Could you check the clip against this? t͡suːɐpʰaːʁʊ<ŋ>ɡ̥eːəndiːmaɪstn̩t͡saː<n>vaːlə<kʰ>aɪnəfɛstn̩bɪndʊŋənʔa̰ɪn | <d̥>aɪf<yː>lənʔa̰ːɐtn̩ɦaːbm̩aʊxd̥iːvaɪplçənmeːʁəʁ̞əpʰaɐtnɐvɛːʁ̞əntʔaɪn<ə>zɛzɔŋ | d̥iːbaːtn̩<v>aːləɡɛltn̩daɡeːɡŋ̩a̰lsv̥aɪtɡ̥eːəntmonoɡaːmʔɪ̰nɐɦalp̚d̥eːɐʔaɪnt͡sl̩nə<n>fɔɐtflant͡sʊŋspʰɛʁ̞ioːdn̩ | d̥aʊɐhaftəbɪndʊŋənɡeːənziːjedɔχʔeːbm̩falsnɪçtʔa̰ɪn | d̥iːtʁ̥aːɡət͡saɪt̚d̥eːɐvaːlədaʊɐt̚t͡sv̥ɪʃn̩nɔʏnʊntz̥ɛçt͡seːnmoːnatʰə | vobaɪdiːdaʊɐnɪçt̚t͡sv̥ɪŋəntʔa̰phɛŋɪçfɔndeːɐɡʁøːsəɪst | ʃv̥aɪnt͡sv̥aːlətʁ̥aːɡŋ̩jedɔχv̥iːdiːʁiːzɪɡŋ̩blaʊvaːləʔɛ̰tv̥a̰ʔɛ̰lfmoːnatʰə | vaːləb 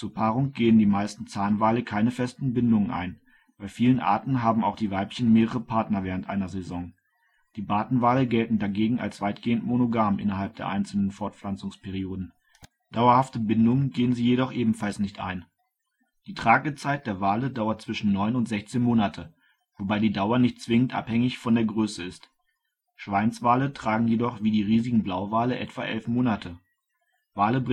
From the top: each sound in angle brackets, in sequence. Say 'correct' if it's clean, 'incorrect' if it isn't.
correct, correct, correct, incorrect, incorrect, incorrect, correct, correct

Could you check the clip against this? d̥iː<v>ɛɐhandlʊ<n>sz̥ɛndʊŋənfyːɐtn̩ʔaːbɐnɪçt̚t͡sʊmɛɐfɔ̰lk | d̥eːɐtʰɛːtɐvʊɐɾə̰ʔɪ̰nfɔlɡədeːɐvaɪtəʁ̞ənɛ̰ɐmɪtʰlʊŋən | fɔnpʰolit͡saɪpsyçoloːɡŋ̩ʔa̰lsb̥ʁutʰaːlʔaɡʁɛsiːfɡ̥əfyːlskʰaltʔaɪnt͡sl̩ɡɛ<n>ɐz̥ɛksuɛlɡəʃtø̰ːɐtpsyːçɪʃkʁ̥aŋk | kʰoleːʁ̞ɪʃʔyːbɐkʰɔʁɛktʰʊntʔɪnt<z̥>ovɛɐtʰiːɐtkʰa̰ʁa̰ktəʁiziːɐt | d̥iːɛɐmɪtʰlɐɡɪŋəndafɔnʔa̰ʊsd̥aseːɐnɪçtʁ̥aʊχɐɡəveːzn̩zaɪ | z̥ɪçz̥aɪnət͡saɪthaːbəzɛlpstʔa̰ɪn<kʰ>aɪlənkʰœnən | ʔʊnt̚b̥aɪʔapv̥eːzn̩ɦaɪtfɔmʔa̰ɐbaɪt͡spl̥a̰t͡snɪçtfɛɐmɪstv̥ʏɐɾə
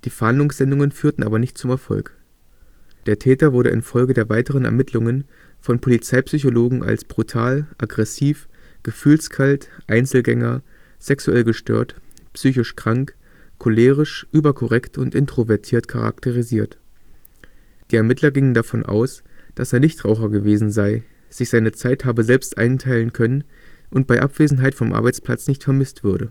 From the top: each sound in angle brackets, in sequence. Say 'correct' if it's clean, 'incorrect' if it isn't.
incorrect, incorrect, incorrect, incorrect, incorrect

